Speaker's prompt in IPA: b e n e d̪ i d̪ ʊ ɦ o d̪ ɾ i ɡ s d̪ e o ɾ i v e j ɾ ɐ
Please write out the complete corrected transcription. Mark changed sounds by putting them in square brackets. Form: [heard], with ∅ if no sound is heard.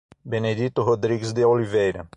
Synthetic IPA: b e n e d̪ i [t̪] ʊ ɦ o d̪ ɾ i ɡ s d̪ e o [l] i v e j ɾ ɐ

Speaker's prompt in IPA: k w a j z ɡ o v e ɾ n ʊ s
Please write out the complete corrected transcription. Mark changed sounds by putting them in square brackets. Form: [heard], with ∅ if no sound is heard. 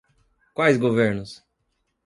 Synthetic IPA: k w a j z ɡ o v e ɾ n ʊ s

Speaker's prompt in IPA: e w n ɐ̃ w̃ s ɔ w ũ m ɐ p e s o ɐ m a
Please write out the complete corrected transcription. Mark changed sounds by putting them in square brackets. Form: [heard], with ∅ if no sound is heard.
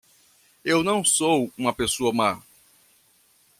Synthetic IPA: e w n ɐ̃ w̃ s [o] w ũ m ɐ p e s o ɐ m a

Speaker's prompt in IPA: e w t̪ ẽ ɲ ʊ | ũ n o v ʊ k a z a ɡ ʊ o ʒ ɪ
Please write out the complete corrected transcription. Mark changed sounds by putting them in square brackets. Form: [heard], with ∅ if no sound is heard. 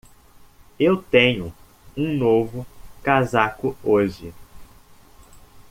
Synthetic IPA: e w t̪ ẽ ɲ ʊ | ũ n o v ʊ k a z a [k] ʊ o ʒ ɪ

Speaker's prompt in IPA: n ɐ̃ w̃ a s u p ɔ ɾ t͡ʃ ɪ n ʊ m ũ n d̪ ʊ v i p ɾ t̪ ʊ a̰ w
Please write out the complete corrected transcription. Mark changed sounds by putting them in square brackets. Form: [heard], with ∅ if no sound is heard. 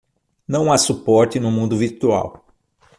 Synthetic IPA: n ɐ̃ w̃ a s u p ɔ ɾ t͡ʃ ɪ n ʊ m ũ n d̪ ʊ v i [∅] ɾ t̪ [u] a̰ w

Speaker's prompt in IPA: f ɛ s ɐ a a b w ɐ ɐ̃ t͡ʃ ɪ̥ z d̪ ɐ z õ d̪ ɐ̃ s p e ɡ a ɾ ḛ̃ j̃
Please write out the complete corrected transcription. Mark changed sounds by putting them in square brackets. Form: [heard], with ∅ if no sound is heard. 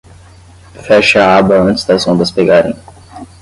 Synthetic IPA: f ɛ [ʃ] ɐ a a b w ɐ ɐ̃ t͡ʃ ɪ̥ z d̪ ɐ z õ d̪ [ɐ] s p e ɡ a ɾ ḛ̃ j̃

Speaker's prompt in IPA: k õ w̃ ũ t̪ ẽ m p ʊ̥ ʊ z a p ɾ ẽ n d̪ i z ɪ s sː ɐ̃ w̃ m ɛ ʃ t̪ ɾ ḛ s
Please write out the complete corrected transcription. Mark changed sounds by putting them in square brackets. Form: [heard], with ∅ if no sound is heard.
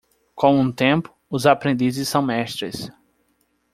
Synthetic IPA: k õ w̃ ũ t̪ ẽ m p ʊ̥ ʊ z a p ɾ ẽ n d̪ i z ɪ s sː ɐ̃ w̃ m ɛ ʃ t̪ ɾ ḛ s

